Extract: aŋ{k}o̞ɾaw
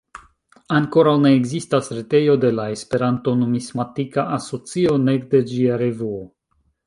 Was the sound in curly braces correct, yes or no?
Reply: yes